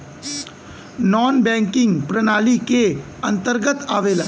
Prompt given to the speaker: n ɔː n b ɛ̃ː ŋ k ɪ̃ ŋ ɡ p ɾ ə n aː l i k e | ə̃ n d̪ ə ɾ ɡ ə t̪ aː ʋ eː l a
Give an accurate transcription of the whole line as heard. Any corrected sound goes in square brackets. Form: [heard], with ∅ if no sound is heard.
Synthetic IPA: n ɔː n b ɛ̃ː ŋ k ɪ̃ ŋ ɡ p ɾ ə n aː l i k e | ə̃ n [t̪] ə ɾ ɡ ə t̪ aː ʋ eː l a